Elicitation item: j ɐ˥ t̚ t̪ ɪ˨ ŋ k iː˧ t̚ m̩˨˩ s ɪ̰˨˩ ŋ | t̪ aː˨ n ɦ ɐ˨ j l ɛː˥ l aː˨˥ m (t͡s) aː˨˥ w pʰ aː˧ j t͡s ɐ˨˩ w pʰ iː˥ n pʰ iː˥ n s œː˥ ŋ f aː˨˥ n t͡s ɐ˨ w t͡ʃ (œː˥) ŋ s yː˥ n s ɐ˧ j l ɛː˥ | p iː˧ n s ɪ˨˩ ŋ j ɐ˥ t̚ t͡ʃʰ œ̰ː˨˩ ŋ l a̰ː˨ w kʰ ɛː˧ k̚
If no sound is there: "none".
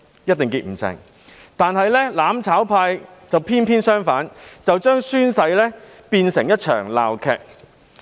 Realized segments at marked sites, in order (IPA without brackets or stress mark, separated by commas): t͡sʰ, œː˥